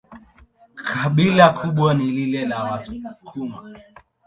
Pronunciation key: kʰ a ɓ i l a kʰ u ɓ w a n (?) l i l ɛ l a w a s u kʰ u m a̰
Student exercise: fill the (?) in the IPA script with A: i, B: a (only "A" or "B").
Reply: A